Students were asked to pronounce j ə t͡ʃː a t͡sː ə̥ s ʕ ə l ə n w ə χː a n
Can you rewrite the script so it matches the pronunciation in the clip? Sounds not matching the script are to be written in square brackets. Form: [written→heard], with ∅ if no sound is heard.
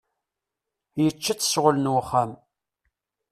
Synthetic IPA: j ə t͡ʃː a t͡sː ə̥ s [ʕ→ʁ] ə l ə n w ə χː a [n→m]